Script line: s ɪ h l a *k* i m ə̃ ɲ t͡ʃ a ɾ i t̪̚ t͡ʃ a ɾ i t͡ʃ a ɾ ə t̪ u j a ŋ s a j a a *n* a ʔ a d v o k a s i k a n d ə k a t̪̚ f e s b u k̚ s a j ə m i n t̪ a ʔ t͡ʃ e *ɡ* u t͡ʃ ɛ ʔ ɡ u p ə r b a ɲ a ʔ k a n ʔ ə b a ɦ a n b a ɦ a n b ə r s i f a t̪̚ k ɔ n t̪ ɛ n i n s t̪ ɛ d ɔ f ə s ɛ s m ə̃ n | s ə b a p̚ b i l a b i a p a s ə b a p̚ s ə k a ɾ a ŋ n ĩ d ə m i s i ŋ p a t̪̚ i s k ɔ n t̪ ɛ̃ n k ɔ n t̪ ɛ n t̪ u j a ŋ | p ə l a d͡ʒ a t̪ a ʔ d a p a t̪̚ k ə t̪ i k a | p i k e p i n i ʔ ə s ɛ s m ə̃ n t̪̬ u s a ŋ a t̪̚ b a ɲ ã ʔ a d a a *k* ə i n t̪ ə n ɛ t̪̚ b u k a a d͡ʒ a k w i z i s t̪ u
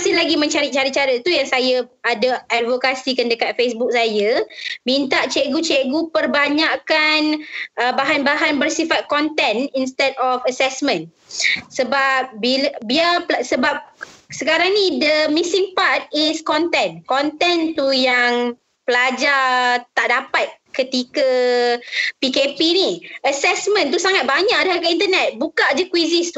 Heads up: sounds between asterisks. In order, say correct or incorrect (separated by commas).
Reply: incorrect, incorrect, correct, correct